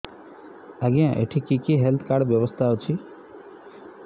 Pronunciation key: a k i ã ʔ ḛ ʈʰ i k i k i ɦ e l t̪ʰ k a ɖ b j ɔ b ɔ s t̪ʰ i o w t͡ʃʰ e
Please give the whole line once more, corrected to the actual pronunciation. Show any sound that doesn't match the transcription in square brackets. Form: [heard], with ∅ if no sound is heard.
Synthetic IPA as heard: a [ɡ] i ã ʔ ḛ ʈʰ i k i k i ɦ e l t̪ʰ k a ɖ b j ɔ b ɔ s t̪ʰ [a] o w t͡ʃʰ [i]

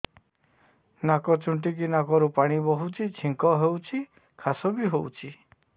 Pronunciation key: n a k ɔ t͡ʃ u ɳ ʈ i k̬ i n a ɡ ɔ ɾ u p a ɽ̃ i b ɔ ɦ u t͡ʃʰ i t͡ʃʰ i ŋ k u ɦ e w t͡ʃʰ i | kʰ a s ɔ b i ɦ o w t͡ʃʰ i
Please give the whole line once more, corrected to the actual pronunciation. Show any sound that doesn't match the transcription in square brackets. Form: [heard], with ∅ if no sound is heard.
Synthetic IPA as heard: n a k ɔ t͡ʃ u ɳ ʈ i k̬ i n a [k] ɔ ɾ u p a ɽ̃ i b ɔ ɦ u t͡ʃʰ i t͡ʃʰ i ŋ k [ɔ] ɦ e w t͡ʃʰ i | kʰ a s ɔ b i ɦ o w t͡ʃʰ i

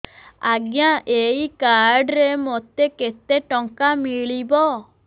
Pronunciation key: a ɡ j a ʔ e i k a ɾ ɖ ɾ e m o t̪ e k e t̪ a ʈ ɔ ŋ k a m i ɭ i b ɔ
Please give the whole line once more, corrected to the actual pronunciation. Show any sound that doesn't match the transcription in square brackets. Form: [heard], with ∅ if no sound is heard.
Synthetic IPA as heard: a ɡ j a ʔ e i k a ɾ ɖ ɾ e m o t̪ e k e t̪ [e] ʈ ɔ ŋ k a m i ɭ i b ɔ

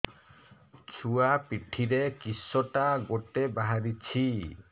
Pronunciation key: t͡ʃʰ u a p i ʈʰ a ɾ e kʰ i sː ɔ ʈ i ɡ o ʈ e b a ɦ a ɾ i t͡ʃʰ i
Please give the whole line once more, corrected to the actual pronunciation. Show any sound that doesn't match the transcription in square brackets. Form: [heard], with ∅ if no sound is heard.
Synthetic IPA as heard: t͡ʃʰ u a p i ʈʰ [i] ɾ e [k] i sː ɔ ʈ [a] ɡ o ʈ e b a ɦ a ɾ i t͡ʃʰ i

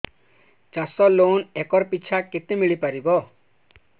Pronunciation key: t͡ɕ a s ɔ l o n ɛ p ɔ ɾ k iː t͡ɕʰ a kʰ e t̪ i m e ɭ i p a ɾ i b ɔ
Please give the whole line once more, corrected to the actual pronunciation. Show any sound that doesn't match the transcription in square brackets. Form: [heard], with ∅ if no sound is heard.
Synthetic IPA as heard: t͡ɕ a s ɔ l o n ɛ [k] ɔ ɾ [p] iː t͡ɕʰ a [k] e t̪ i m [i] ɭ i p a ɾ i b ɔ

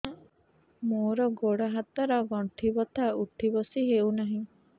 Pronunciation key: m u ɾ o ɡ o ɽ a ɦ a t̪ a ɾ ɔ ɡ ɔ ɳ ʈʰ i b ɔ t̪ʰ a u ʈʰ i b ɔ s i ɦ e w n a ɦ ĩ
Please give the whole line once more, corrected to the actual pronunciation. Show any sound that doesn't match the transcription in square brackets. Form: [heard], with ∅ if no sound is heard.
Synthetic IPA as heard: m [o] ɾ [ɔ] ɡ o ɽ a ɦ a t̪ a ɾ ɔ ɡ ɔ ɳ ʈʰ i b ɔ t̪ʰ a u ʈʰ i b ɔ s i ɦ e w n a ɦ ĩ

